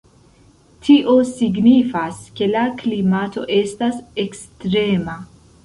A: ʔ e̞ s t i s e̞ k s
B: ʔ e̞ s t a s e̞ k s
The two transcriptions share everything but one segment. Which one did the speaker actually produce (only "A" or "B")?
B